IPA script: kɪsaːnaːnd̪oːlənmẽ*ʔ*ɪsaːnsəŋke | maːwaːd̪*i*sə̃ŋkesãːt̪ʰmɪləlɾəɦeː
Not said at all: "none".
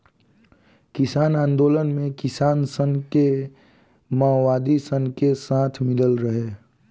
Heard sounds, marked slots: k, i

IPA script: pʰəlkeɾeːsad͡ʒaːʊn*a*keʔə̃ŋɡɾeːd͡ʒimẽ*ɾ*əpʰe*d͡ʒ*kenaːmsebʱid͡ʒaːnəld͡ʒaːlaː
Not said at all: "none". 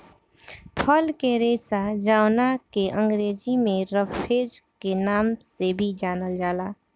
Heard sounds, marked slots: a, ɾ, d͡ʒ

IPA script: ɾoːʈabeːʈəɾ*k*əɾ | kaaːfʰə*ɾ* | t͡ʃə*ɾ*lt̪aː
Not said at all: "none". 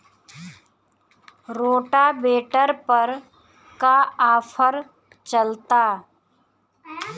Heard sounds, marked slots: p, ɾ, none

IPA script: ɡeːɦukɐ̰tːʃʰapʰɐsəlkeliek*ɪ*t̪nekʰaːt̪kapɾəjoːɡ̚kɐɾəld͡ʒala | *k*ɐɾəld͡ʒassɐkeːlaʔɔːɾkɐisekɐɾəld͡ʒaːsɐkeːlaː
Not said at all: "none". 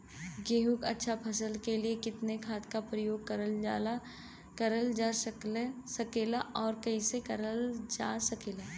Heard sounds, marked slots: ɪ, k

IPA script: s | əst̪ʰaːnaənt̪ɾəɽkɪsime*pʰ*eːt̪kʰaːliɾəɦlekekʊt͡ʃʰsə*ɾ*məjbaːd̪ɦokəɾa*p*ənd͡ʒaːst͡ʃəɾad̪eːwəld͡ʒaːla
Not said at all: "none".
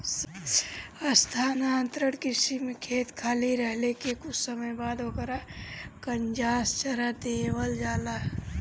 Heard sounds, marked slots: kʰ, none, k

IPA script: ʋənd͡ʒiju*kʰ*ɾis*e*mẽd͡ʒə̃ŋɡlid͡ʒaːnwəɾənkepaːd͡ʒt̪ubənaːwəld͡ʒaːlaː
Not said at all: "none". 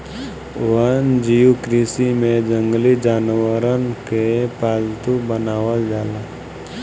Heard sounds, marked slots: k, i

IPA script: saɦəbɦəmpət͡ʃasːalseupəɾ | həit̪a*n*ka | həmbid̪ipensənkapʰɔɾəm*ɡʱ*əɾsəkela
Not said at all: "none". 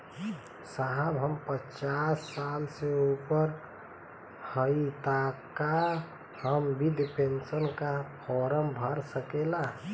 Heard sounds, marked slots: none, bʱ

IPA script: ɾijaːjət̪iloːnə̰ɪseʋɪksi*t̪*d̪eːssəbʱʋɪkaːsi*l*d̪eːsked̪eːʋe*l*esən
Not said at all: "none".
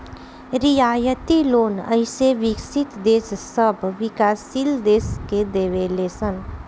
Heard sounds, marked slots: t̪, l, l

